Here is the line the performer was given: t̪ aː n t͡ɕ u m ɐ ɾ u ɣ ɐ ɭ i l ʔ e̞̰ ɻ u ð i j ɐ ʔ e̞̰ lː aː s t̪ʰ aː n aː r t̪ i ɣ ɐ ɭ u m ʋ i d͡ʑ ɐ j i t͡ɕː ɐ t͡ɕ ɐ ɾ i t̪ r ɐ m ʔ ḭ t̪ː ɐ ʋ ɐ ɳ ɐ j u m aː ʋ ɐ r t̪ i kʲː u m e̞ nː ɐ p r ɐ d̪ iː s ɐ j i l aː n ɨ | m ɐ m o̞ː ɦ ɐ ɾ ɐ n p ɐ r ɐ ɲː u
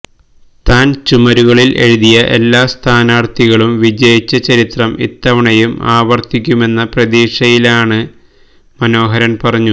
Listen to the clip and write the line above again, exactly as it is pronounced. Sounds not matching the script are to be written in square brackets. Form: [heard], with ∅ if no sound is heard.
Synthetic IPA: t̪ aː n t͡ɕ u m ɐ ɾ u ɣ ɐ ɭ i l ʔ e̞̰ ɻ u ð i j ɐ ʔ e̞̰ lː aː s t̪ʰ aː n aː r t̪ i ɣ ɐ ɭ u m ʋ i d͡ʑ ɐ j i t͡ɕː ɐ t͡ɕ ɐ ɾ i t̪ r ɐ m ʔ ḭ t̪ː ɐ ʋ ɐ ɳ ɐ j u m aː ʋ ɐ r t̪ i kʲː u m e̞ nː ɐ p r ɐ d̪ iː [ʂ] ɐ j i l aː [ɳ] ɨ | m ɐ [n] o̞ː ɦ ɐ ɾ ɐ n p ɐ r ɐ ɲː u